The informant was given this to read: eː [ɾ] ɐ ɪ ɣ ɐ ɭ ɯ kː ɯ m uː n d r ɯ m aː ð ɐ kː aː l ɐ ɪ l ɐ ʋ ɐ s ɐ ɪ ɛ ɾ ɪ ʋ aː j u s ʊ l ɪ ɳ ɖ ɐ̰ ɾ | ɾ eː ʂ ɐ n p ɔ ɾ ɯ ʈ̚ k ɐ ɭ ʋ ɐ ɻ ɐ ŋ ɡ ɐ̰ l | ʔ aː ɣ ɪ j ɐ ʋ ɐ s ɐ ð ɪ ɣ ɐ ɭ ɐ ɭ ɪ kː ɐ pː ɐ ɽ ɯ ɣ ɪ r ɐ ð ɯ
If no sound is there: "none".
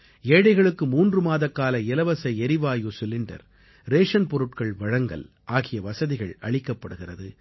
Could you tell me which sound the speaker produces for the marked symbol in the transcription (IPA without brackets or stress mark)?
ɽ